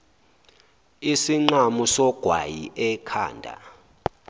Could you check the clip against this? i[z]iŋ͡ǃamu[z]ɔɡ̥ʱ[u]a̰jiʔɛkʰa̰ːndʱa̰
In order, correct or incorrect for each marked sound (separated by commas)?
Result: incorrect, incorrect, incorrect